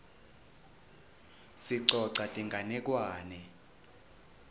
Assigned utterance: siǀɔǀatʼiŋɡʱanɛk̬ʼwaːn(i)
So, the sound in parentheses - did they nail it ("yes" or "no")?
no